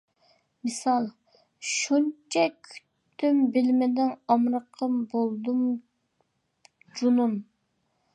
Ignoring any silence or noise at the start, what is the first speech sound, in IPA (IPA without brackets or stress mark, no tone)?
m